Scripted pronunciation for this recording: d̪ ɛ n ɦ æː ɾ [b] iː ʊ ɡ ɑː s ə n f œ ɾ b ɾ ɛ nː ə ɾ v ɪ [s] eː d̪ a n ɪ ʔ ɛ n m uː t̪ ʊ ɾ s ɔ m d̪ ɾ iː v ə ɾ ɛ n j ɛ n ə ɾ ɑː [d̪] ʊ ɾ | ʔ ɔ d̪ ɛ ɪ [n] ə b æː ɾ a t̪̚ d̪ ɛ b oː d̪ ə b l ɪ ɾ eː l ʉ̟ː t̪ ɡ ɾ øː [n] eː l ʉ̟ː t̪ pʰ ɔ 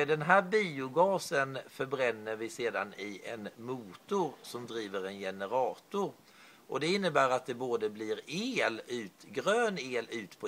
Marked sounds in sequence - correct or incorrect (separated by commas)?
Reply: correct, correct, incorrect, incorrect, correct